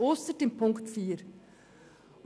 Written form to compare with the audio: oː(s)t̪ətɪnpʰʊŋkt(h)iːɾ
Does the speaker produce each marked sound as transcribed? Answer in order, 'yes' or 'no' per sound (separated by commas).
yes, no